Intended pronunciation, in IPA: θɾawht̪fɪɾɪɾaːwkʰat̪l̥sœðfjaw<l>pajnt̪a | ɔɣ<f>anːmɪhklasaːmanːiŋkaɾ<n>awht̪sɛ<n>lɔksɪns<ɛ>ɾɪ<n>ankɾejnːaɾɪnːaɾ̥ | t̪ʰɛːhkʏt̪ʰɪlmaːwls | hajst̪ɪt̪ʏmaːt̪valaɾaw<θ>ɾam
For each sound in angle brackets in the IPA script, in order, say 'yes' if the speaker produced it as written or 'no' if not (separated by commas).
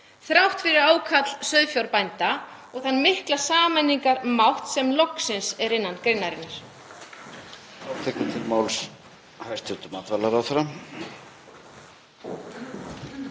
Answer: no, no, no, no, yes, no, yes